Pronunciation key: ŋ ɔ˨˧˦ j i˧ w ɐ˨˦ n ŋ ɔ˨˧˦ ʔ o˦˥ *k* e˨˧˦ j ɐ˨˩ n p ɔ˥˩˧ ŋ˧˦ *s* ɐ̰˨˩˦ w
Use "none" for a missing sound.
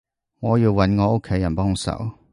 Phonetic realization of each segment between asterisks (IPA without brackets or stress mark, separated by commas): kʰ, s